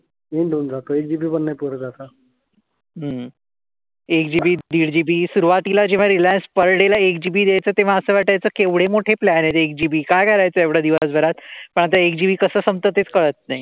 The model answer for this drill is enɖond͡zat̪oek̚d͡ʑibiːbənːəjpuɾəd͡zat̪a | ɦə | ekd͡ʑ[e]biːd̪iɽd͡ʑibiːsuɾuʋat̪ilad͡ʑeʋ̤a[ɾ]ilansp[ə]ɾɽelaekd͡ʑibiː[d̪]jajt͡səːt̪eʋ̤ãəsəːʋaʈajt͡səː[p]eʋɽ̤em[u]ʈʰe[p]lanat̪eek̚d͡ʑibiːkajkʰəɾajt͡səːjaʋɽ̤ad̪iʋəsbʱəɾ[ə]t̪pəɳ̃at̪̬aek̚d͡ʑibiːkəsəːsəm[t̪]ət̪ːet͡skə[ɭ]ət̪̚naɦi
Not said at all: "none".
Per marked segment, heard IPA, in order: i, ɾ, ə, d̪, k, o, p, a, t̪, ɭ

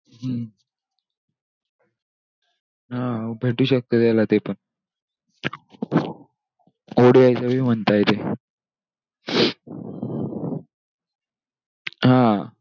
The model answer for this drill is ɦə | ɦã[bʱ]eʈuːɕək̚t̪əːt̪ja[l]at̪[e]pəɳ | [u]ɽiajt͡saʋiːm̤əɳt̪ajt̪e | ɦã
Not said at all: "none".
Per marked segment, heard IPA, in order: bʱ, l, e, o

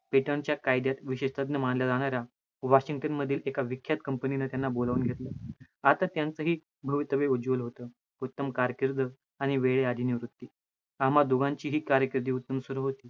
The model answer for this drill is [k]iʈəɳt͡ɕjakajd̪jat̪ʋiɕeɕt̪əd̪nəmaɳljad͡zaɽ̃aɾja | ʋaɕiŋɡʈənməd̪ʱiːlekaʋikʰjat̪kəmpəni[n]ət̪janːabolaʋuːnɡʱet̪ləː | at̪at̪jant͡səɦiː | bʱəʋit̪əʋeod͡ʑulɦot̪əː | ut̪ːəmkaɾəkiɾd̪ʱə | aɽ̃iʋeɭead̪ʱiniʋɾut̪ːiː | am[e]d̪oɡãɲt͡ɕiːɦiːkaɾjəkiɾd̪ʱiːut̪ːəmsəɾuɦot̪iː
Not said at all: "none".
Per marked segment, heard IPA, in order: p, n, a

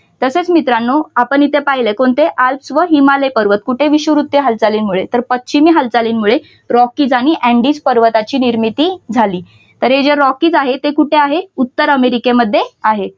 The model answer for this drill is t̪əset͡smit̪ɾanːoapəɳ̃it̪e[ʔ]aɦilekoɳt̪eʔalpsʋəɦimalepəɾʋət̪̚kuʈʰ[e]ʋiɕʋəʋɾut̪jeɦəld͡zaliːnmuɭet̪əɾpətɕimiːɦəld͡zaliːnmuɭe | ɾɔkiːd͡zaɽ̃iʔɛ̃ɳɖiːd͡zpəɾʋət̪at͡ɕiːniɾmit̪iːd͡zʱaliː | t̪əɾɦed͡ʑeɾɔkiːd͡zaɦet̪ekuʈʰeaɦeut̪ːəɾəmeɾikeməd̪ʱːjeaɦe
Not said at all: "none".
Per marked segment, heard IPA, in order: p, e

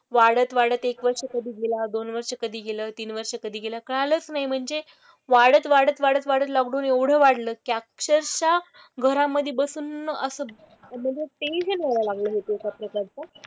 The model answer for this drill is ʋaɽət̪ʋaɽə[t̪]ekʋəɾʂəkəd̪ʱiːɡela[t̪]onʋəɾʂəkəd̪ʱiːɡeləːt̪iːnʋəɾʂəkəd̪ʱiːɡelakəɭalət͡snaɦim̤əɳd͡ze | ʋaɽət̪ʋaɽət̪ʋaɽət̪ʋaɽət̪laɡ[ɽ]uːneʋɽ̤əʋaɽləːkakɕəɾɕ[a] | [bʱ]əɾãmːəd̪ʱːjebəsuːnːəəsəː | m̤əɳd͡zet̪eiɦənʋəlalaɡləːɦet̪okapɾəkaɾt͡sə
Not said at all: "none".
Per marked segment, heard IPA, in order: t̪, d̪, ɽ, a, ɡʱ

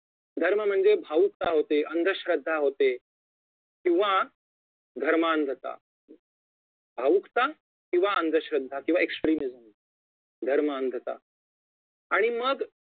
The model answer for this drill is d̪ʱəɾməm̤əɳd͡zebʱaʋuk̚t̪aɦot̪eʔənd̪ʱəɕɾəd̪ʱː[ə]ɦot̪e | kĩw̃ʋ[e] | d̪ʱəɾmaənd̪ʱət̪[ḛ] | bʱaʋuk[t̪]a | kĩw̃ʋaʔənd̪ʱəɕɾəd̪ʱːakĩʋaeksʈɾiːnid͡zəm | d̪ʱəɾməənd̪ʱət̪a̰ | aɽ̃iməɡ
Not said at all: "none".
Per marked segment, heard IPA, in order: a, a, a̰, t̪

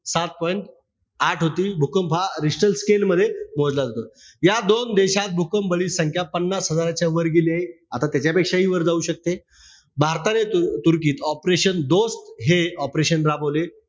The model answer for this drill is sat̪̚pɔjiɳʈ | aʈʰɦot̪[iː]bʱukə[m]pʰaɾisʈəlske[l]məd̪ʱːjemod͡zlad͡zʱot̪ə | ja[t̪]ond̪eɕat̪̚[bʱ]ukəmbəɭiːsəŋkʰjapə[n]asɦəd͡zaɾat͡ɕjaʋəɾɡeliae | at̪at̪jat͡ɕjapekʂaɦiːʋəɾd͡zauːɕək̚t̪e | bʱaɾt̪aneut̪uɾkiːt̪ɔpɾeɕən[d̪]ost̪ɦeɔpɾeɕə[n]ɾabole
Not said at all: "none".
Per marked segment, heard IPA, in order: iː, m, l, d̪, bʱ, nː, d̪, n

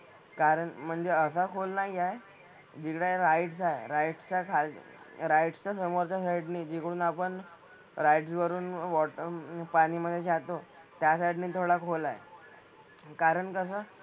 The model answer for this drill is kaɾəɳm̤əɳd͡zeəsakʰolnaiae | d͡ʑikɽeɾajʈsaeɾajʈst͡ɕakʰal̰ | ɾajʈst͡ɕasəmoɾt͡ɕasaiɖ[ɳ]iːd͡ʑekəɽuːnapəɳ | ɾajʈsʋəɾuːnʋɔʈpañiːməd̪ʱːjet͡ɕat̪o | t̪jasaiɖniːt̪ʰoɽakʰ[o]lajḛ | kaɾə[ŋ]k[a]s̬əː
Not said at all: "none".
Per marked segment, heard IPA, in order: n, o, ɳ, ə

